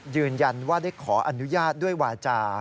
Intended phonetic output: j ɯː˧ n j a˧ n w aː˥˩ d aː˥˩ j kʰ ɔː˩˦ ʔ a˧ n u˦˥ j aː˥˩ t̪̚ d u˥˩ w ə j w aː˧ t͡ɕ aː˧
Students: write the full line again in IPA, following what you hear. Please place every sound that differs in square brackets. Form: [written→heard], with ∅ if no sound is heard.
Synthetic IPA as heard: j ɯː˧ n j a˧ n w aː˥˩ d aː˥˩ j kʰ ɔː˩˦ ʔ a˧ n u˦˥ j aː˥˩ t̪̚ d u˥˩ [w→∅] ə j w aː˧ t͡ɕ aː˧